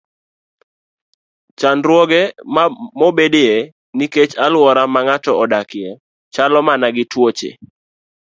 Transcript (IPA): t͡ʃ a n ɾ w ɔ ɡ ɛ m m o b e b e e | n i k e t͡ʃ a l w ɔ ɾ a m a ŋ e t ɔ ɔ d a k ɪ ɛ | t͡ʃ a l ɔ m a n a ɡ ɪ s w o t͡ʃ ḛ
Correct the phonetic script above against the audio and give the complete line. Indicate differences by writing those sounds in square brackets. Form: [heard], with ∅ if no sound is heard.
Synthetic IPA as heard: t͡ʃ a n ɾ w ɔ ɡ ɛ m m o b e [d] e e | n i k e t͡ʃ a l w ɔ ɾ a m a ŋ [a] t ɔ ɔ d a k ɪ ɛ | t͡ʃ a l ɔ m a n a ɡ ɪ [t] w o t͡ʃ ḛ